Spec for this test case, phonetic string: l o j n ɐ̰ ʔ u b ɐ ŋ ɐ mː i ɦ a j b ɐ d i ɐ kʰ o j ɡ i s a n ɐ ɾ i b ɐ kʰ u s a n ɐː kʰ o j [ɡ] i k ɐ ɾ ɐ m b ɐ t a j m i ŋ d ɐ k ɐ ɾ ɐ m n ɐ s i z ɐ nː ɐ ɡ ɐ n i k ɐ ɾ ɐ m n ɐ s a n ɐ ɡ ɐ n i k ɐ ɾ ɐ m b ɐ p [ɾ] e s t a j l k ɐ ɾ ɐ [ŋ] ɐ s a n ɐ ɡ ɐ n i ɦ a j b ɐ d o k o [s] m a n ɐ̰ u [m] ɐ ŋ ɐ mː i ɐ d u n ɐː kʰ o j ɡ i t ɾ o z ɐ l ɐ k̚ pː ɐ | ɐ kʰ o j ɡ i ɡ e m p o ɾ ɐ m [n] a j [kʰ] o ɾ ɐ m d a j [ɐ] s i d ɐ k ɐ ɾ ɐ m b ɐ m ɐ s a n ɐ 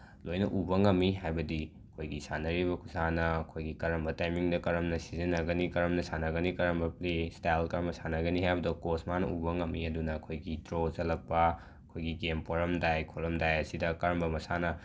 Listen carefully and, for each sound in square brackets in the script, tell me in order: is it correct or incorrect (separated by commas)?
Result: correct, incorrect, incorrect, correct, incorrect, incorrect, correct, correct